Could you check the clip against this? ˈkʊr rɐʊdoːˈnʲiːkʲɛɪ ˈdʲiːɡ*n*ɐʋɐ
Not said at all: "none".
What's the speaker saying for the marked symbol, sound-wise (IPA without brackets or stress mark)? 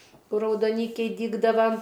d